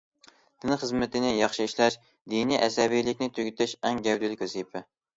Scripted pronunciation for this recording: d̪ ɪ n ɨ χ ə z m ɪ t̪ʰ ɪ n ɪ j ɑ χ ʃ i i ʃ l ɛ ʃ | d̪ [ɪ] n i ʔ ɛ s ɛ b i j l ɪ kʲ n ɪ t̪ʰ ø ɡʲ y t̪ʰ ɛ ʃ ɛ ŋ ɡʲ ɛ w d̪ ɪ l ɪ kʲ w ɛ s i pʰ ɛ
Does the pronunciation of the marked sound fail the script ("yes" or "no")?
yes